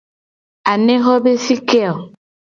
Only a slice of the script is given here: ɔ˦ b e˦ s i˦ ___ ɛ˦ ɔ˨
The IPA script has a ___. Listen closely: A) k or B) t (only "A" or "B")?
A